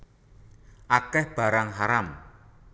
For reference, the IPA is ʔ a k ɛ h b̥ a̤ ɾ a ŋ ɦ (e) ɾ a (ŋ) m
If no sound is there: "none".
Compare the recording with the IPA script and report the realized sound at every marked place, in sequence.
a, none

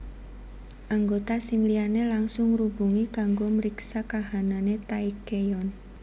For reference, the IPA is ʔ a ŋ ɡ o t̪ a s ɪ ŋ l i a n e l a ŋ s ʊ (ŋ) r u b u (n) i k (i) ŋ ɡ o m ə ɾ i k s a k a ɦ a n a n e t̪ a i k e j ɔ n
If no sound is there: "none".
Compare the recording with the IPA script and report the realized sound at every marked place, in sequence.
ŋ, ŋ, a

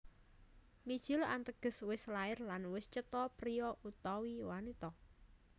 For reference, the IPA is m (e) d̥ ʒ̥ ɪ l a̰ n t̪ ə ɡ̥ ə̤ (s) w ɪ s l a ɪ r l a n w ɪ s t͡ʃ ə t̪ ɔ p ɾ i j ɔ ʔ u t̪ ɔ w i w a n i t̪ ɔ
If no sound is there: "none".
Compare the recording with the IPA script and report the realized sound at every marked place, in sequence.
i, s

